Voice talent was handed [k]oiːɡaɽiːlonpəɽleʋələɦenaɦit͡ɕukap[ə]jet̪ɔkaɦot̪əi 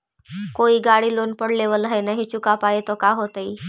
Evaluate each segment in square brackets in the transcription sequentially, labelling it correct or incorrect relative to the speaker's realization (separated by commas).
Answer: correct, incorrect